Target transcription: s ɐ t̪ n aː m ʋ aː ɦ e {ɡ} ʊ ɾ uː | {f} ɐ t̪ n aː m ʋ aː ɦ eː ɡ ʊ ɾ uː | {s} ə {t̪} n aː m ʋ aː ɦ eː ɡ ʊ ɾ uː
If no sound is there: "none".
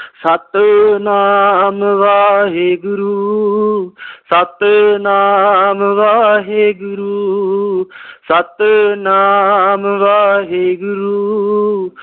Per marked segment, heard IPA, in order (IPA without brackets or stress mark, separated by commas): ɡ, s, s, t̪